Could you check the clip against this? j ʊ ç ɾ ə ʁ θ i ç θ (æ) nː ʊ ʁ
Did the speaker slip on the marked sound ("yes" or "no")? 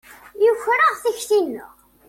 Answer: yes